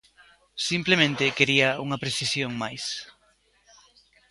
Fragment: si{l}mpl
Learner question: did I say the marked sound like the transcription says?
no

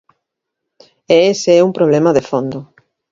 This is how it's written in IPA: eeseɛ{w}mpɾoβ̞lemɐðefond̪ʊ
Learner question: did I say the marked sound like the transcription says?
no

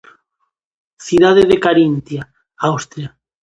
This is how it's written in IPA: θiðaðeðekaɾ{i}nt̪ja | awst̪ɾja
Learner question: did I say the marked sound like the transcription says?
yes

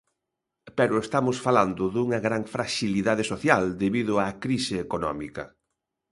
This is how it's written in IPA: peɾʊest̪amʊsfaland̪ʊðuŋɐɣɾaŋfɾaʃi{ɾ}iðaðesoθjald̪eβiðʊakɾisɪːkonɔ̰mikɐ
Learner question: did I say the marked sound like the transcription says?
no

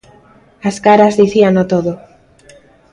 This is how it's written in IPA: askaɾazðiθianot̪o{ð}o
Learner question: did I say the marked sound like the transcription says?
yes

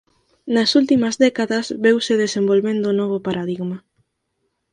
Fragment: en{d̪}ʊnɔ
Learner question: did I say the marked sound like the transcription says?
yes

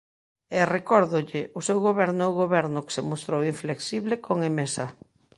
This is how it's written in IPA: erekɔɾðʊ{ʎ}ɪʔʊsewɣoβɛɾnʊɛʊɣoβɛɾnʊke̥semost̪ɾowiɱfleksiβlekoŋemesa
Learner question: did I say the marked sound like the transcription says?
yes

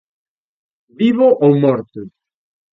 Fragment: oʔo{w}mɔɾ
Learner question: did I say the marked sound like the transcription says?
yes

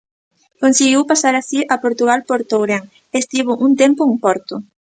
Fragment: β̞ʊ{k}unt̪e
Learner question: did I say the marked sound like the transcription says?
no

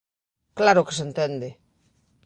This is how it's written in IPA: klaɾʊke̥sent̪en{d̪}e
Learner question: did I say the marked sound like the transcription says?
yes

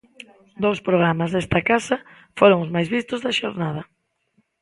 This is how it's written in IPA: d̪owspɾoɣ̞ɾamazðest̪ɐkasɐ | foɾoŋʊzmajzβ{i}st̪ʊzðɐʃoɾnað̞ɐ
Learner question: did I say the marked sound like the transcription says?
yes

